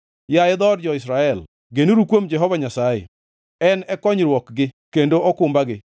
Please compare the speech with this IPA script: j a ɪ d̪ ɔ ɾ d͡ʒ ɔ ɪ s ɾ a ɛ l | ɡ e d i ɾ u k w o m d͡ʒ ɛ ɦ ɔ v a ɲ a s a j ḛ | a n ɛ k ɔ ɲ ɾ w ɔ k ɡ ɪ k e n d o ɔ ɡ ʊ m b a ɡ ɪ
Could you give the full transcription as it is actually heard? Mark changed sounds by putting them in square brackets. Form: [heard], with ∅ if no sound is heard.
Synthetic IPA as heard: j a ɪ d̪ ɔ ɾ d͡ʒ ɔ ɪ s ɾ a ɛ l | ɡ e [n] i ɾ u k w o m d͡ʒ ɛ ɦ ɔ v a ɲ a s a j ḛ | [ɛ] n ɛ k ɔ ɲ ɾ w ɔ k ɡ ɪ k e n d o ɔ [k] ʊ m b a ɡ ɪ